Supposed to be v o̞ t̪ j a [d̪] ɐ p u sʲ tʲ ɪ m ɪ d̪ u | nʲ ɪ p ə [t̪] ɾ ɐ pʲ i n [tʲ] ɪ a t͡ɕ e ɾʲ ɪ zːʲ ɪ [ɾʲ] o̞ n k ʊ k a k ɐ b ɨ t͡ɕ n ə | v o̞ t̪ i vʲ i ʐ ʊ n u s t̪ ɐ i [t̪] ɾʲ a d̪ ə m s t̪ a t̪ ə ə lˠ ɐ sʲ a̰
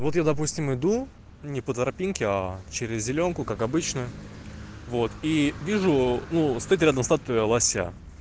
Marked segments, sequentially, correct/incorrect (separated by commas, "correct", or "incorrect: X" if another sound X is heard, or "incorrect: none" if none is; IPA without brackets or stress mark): correct, correct, incorrect: kʲ, incorrect: lʲ, correct